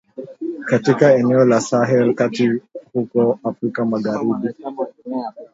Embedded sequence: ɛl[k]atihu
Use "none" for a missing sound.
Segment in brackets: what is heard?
k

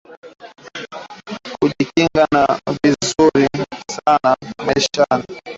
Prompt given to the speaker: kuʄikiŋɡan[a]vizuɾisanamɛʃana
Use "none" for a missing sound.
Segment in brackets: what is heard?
a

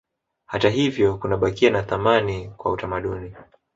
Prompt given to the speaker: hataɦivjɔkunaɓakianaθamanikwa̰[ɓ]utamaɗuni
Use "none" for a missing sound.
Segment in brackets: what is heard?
none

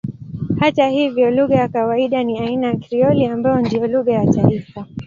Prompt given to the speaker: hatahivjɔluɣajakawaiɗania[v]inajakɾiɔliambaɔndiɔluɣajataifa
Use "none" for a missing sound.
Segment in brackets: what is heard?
none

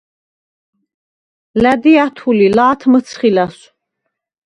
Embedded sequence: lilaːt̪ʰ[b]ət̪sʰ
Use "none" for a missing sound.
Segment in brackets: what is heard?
m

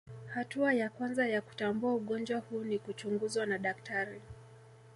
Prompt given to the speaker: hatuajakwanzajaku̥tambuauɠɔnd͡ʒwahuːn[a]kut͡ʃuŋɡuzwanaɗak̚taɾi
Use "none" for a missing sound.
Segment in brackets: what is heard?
i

